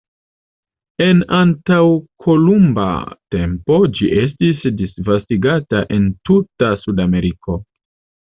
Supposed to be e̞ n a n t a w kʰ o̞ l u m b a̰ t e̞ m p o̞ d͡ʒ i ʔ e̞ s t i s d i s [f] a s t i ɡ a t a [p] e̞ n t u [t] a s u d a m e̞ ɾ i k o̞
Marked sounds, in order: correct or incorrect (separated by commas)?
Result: incorrect, incorrect, correct